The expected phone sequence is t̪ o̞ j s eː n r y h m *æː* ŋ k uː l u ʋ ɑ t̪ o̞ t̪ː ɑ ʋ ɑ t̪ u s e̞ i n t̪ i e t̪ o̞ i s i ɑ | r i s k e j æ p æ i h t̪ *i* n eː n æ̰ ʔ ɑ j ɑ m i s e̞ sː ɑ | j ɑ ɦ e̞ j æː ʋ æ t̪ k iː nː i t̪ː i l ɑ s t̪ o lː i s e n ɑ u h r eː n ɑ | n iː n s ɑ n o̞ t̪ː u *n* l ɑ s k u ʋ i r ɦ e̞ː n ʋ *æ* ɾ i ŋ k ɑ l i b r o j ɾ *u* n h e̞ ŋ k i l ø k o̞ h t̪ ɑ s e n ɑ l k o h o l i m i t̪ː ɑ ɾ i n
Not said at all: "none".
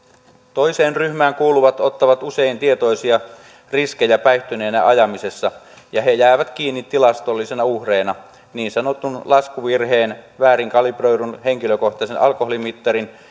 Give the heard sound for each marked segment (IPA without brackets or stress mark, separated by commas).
æː, y, n, æː, u